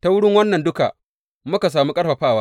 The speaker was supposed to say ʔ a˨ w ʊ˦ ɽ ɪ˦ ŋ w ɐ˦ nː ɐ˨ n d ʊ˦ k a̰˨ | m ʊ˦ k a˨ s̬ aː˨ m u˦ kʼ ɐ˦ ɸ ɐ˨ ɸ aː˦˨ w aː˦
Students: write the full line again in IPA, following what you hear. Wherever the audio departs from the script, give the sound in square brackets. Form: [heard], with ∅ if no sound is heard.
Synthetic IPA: [t] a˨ w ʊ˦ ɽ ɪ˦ ŋ w ɐ˦ nː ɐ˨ n d ʊ˦ k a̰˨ | m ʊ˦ k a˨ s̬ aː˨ m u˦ kʼ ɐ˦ ɸ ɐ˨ ɸ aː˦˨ w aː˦